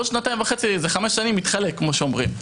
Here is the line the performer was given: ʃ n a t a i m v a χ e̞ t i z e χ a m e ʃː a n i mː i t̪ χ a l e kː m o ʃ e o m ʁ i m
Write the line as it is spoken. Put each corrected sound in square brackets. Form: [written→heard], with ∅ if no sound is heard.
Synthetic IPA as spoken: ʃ n a t a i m v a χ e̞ [t→t͡s] i z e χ a m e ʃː a n i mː i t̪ χ a l e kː m o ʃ e o m ʁ i m